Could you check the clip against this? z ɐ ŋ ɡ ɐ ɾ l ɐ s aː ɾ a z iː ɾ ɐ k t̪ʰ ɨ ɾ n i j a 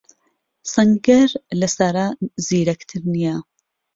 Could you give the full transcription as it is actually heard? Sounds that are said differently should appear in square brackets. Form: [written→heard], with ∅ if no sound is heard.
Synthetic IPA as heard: [z→s] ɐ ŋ ɡ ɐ ɾ l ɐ s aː ɾ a z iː ɾ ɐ k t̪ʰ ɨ ɾ n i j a